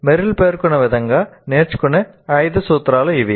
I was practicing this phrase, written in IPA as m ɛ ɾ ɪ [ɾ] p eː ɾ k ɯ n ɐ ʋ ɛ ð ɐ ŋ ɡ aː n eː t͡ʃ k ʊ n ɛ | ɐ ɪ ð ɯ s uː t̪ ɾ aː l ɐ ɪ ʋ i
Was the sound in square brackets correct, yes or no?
no